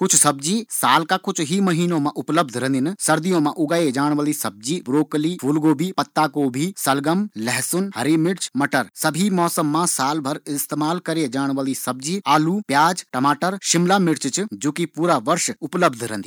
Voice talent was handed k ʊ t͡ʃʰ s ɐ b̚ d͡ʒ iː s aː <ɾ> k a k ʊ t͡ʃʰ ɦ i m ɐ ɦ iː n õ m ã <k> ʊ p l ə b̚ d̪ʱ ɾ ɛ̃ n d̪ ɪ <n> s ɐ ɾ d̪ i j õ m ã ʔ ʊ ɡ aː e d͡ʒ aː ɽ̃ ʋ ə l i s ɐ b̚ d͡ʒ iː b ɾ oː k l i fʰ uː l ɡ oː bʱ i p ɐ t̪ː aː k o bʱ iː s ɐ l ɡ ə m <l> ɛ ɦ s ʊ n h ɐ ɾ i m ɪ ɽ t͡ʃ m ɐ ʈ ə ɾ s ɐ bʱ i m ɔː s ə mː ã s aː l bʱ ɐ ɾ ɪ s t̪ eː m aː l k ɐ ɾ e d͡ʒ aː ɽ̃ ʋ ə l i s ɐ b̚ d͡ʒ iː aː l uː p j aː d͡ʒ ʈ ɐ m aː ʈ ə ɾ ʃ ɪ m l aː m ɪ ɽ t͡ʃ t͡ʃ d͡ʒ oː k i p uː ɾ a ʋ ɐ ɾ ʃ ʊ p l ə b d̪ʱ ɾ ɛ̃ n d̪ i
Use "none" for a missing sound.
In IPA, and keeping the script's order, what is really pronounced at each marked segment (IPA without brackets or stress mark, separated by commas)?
l, ʔ, n, l